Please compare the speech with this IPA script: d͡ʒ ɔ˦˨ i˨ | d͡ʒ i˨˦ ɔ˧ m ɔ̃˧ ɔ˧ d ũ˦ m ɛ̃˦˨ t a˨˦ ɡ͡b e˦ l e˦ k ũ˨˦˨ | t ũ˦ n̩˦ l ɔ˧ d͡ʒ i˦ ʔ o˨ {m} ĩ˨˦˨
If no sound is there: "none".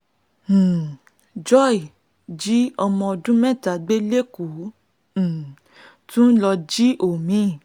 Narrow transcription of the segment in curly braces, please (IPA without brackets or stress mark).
m